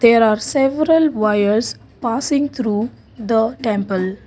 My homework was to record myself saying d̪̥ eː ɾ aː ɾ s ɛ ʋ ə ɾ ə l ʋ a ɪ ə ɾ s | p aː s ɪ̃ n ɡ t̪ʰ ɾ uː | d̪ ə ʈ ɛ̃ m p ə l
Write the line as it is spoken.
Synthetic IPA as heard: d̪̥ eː ɾ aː ɾ s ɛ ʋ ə ɾ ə l ʋ a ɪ ə ɾ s | p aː s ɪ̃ ŋ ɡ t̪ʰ ɾ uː | d̪ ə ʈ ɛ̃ m p ə l